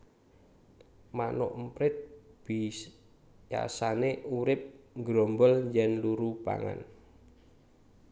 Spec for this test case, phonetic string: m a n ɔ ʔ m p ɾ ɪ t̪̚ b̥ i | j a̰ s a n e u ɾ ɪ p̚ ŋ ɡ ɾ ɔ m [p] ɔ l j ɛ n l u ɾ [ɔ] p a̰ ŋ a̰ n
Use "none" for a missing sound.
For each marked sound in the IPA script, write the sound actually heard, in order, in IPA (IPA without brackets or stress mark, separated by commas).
b, u